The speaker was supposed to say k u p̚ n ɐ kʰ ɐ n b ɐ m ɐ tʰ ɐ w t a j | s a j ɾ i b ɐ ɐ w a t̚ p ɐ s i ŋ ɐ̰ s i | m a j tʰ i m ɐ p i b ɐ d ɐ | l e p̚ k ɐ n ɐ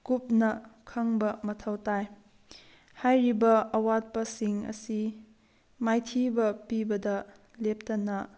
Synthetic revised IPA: k u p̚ n ɐ kʰ ɐ ŋ b ɐ m ɐ tʰ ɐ w t a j | h a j ɾ i b ɐ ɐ w a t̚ p ɐ s i ŋ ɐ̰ s i | m a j tʰ i b ɐ p i b ɐ d ɐ | l e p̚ t ɐ n ɐ